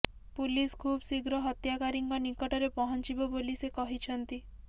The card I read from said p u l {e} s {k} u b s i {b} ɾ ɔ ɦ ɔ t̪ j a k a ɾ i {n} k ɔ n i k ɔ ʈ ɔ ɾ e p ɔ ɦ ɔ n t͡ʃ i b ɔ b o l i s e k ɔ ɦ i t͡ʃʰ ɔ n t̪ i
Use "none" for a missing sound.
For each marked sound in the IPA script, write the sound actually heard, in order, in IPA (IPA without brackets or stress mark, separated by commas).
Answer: i, kʰ, ɡ, ŋ